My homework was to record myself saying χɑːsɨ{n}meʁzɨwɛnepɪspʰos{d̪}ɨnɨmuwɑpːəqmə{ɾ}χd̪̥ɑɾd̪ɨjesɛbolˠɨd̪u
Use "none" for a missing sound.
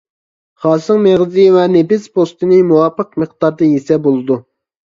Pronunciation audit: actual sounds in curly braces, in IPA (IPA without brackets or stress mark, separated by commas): ŋ, t̪, none